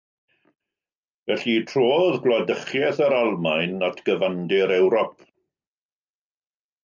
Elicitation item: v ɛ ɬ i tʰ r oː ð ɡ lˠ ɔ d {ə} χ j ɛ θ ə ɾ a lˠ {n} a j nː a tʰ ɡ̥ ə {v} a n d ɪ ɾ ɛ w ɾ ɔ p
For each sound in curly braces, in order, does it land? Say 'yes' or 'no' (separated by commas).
yes, no, yes